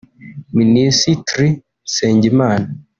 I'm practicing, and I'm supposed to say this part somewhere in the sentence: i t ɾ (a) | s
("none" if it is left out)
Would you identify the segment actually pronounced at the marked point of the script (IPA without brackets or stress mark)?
i